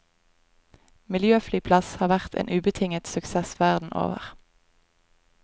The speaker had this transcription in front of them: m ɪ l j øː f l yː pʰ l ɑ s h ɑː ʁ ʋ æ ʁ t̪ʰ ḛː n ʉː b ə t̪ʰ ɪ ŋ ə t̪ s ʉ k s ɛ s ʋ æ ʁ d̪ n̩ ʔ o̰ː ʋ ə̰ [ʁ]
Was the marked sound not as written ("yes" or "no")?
no